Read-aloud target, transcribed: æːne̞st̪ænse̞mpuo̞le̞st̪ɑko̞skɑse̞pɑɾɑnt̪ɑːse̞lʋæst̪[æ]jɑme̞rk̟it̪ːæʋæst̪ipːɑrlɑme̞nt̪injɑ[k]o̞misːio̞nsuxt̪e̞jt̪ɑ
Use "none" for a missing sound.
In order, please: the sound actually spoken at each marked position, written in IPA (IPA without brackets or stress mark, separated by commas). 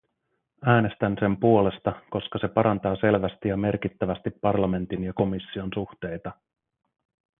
i, k